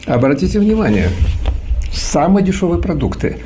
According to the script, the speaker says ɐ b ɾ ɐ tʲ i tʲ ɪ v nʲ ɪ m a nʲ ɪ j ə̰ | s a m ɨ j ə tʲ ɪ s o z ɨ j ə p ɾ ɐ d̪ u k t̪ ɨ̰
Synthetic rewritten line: ɐ b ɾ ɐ tʲ i tʲ ɪ v nʲ ɪ m a nʲ ɪ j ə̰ | s a m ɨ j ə dʲ ɪ ʂ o v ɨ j ə p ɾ ɐ d̪ u k t̪ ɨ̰

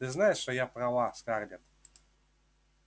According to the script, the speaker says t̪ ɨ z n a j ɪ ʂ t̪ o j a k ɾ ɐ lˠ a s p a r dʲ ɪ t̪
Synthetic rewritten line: t̪ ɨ z n a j ɪ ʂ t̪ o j a p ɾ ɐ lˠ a s k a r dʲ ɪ t̪

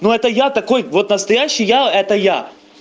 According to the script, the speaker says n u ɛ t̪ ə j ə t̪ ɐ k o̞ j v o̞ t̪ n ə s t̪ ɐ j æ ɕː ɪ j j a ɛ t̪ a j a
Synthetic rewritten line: n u ɛ t̪ ə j a t̪ ɐ k o̞ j v o̞ t̪ n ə s t̪ ɐ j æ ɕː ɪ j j a ɛ t̪ ə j a

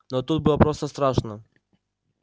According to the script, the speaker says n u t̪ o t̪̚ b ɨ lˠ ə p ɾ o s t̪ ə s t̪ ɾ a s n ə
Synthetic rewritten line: n o t̪ u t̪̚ b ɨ lˠ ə p ɾ o s t̪ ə s t̪ ɾ a ʂ n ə

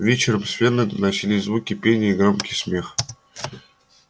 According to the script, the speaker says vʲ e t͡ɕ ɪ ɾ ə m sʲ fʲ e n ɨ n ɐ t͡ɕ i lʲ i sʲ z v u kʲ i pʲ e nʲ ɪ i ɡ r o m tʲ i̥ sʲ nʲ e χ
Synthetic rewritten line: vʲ e t͡ɕ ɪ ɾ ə m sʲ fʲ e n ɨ n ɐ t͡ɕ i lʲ i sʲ z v u kʲ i pʲ e nʲ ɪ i ɡ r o m kʲ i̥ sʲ mʲ e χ

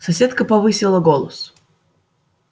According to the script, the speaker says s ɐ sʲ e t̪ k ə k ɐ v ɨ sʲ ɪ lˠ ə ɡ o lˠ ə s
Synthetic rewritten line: s ɐ sʲ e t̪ k ə p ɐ v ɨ sʲ ɪ lˠ ə ɡ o lˠ ə s

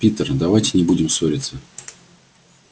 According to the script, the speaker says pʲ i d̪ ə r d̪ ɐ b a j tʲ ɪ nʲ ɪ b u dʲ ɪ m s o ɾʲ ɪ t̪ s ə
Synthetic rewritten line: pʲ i t̪ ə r d̪ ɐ v a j tʲ ɪ nʲ ɪ b u dʲ ɪ m s o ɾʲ ɪ t̪ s ə

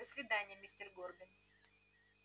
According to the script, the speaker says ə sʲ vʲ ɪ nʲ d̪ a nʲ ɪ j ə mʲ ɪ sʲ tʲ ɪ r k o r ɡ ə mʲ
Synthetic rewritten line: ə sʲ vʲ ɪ d̪ a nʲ ɪ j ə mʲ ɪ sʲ tʲ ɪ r ɡ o r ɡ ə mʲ

